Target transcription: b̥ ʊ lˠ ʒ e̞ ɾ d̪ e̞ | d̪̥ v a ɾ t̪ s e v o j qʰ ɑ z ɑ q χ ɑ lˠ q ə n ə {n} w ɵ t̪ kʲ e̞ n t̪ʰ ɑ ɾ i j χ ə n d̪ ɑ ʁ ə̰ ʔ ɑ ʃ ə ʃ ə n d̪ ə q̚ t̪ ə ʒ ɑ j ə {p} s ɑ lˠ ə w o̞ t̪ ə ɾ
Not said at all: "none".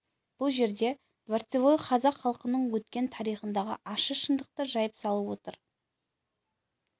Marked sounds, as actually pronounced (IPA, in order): ɴ, p

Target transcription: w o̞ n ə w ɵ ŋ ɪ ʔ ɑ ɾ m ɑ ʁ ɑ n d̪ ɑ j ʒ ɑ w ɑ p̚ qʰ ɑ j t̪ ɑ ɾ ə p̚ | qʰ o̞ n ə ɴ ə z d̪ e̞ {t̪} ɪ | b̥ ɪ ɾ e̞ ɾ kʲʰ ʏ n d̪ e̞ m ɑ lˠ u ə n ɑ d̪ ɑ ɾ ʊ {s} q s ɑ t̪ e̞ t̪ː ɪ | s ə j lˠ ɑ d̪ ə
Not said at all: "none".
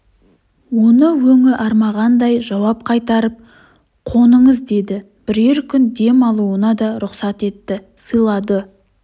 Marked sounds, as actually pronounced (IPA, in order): d̪, none

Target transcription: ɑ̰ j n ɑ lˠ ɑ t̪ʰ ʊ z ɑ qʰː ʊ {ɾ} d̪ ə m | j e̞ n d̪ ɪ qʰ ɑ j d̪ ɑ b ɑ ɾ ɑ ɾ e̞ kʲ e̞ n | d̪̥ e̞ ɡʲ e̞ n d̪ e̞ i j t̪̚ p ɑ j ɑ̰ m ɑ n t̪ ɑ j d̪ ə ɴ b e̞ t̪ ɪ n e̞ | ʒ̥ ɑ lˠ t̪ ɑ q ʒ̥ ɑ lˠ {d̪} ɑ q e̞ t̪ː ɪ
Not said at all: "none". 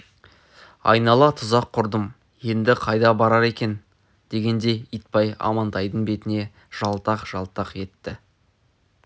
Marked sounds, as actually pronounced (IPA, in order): ɾ, t̪

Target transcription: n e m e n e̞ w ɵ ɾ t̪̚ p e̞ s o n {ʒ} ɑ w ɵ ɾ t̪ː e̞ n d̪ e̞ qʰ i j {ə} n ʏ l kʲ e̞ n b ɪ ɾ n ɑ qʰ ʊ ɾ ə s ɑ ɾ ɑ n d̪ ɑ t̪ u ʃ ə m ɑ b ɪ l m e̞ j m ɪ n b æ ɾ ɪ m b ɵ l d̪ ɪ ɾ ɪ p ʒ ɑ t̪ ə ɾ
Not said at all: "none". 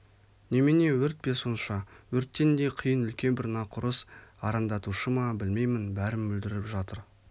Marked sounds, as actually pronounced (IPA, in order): ʃ, ə

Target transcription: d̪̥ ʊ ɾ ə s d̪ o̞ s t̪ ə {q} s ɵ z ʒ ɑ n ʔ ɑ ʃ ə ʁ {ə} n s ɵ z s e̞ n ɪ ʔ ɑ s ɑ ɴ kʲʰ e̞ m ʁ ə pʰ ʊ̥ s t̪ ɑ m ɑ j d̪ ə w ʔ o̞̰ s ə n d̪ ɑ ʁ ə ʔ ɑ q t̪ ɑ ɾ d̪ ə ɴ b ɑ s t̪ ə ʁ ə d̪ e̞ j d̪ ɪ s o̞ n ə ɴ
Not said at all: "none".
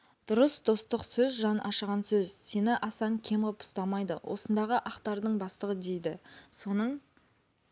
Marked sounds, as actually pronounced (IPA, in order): q, ɑ

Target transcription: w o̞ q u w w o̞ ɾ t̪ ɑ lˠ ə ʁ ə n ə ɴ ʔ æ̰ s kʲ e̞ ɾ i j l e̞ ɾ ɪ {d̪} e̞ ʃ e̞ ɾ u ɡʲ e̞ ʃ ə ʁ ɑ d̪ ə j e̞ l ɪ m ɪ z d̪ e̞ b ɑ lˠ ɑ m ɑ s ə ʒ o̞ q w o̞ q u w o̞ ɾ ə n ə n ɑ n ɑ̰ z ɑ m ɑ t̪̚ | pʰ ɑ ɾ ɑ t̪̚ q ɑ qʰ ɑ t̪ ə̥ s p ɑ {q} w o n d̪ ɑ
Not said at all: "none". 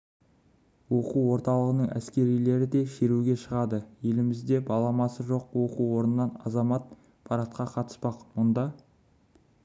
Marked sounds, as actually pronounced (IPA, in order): d̪, q

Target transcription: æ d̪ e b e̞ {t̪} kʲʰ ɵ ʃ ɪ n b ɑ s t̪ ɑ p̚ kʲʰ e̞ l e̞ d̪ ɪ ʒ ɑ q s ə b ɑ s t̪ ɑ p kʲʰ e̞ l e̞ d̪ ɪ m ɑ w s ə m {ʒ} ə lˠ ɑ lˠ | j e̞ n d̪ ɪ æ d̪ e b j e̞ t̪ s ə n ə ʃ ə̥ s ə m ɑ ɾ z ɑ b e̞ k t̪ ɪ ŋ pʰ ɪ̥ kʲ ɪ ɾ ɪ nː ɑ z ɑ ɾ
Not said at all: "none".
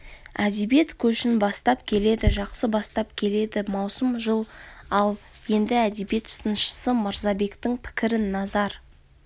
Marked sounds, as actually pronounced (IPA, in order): t̪, ʒ

